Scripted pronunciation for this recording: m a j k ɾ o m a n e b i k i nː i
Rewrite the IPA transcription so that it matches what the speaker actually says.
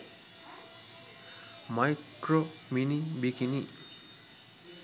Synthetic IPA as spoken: m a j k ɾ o m i n i b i k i n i

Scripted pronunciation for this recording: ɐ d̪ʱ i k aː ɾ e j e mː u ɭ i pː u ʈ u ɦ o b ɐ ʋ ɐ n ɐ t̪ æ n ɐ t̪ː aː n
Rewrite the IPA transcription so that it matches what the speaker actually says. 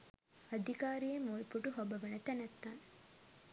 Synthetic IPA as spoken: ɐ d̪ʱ i k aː ɾ i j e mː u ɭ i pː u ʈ u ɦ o b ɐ ʋ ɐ n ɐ t̪ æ n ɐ t̪ː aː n

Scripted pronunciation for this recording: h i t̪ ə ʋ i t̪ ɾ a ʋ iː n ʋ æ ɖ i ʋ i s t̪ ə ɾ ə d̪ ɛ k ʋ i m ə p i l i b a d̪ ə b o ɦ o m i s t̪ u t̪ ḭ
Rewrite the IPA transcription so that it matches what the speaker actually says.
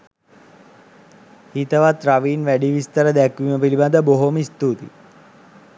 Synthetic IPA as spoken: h i t̪ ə ʋ a t̪ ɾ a ʋ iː n ʋ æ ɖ i ʋ i s t̪ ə ɾ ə d̪ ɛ k ʋ i m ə p i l i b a d̪ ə b o ɦ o m i s t̪ u t̪ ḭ

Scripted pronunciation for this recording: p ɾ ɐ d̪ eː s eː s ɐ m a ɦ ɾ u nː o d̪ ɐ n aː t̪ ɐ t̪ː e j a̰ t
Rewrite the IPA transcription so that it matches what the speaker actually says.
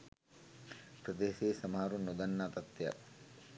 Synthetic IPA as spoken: p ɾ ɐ d̪ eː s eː s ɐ m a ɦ ɾ u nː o d̪ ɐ nː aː t̪ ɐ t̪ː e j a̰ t

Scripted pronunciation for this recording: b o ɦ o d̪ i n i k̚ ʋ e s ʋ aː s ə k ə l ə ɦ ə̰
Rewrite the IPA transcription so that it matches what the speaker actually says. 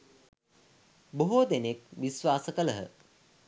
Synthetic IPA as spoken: b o ɦ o d̪ e n e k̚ ʋ i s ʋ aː s ə k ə l ə ɦ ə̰

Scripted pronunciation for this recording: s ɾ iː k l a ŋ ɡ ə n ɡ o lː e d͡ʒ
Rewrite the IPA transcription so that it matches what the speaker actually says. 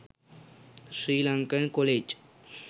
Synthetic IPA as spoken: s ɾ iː l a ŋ k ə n k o l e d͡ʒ

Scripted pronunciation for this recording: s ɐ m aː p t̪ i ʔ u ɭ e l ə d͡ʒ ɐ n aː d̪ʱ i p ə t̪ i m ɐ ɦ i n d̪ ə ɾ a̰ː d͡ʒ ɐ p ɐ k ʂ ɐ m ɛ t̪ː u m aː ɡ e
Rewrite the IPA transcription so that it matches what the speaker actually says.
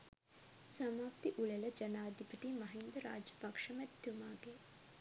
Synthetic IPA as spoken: s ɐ m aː p t̪ i ʔ u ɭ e l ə d͡ʒ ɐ n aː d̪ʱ i p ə t̪ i m ɐ ɦ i n d̪ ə ɾ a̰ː d͡ʒ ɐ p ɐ k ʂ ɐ m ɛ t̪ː u m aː ɡ e

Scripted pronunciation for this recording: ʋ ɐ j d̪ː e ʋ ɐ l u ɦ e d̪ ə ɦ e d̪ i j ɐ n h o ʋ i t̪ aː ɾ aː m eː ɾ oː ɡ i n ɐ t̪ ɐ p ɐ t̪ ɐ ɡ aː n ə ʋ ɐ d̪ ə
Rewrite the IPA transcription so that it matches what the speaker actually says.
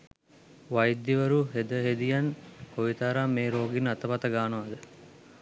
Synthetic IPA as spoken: ʋ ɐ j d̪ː i ʋ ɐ ɾ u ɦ e d̪ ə ɦ e d̪ i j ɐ n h o ʋ i t̪ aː ɾ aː m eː ɾ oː ɡ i n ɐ t̪ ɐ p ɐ t̪ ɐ ɡ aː n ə ʋ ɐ d̪ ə

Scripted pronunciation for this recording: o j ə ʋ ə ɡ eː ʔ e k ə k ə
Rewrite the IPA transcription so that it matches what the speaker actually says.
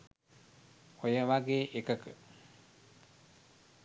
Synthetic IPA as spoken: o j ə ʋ a ɡ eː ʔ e k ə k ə

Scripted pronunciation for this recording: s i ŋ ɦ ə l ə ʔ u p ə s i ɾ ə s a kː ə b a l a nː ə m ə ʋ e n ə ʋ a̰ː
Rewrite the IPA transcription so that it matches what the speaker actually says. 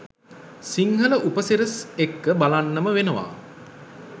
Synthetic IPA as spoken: s i ŋ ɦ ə l ə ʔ u p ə s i ɾ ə s e kː ə b a l a nː ə m ə ʋ e n ə ʋ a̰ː

